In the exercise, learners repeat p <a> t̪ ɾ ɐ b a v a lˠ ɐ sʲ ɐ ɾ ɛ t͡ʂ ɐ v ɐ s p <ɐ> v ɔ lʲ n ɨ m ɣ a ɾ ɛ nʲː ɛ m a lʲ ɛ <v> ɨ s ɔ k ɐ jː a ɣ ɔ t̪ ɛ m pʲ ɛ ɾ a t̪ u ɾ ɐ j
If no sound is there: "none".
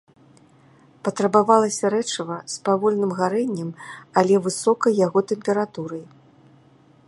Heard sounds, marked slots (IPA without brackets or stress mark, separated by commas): ɐ, a, v